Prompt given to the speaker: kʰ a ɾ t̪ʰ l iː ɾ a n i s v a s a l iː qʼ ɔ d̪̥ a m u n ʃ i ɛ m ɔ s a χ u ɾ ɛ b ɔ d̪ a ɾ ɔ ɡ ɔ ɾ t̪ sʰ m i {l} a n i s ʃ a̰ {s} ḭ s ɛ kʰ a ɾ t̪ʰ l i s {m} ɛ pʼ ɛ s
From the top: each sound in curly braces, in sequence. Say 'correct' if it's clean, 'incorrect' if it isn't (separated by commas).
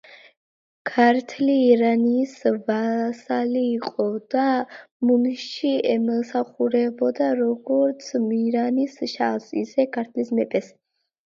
incorrect, correct, correct